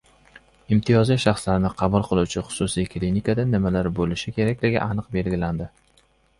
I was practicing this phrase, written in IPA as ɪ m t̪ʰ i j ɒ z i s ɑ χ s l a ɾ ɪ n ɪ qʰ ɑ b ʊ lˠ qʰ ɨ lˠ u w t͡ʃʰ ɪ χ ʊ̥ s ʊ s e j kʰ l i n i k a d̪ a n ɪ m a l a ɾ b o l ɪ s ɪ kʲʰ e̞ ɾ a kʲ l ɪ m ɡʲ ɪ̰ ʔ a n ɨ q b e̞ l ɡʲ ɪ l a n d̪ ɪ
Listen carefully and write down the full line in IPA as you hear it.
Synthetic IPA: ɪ m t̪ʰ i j ɒ z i ʃ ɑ χ s l a ɾ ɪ n ɪ qʰ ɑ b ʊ lˠ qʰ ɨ lˠ u w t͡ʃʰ ɪ χ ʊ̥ s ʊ s i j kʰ l i n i k a d̪ a n ɪ m a l a ɾ b o l ɪ ʃ ɪ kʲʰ e̞ ɾ a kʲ l ɪ ɡʲ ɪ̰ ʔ a n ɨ q b e̞ l ɡʲ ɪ l a n d̪ ɪ